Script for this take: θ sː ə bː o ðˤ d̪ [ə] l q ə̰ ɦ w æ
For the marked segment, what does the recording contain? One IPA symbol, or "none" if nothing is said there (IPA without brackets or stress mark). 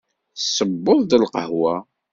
ə